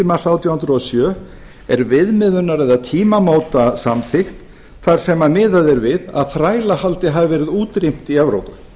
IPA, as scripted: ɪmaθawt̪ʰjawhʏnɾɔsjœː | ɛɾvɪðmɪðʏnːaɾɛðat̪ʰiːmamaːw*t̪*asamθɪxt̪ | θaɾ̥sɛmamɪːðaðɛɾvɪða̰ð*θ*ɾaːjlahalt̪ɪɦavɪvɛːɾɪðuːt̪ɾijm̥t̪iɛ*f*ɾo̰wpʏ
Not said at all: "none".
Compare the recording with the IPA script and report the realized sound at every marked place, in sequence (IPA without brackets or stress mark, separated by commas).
t̪, θ, v